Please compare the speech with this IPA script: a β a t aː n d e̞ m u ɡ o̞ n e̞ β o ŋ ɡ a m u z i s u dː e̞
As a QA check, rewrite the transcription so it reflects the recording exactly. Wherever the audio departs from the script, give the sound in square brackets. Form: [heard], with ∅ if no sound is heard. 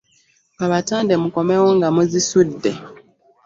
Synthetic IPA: a β a t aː n d e̞ m u [k] o̞ [m] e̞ [w] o ŋ ɡ a m u z i s u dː e̞